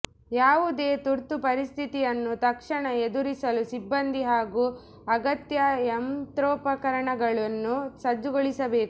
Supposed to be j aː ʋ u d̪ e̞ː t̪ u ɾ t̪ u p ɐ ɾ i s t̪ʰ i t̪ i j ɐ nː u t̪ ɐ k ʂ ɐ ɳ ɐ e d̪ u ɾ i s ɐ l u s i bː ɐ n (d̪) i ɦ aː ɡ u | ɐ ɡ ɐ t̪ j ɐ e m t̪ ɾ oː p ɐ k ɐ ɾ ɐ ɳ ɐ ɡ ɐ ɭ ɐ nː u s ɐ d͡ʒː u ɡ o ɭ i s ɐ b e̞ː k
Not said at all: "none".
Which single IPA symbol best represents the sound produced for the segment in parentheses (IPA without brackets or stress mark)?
d̪